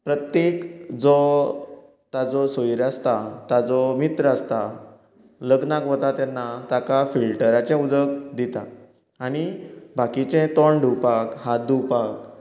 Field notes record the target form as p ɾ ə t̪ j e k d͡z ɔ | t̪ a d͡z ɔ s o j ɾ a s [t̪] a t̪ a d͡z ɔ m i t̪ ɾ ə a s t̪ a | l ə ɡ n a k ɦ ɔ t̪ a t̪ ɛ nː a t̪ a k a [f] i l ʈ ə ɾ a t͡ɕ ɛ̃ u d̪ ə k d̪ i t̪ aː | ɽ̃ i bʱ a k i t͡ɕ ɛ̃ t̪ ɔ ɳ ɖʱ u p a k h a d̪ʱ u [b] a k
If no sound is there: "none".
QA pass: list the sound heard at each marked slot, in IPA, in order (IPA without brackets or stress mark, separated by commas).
t̪, f, p